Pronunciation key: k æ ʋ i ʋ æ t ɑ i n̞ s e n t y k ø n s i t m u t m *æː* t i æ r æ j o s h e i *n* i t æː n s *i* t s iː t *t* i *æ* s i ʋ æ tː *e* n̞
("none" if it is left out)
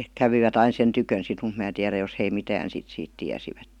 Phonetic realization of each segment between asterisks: æː, m, i, t, æ, e

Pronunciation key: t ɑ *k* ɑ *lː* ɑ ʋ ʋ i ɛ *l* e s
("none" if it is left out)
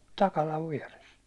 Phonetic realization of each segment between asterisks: k, l, r

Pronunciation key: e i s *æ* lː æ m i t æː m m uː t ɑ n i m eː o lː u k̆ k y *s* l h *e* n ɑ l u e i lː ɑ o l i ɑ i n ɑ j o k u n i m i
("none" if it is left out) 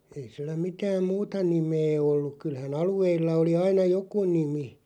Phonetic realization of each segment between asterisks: i, none, æ

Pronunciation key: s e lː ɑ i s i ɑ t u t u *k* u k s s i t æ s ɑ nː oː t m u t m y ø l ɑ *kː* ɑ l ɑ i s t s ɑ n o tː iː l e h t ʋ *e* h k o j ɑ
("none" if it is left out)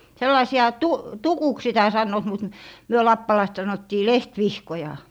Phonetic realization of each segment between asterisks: k, pː, i

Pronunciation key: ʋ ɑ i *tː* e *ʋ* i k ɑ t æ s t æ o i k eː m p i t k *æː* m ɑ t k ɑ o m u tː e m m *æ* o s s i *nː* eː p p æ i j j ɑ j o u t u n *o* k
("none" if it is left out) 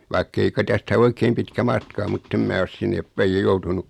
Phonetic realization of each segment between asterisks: kː, none, æ, æː, nː, u

